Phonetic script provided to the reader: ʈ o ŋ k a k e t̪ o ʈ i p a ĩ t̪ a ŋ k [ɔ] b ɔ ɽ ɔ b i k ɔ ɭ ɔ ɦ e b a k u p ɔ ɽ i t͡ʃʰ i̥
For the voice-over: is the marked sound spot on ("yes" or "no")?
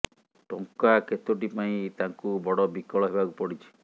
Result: no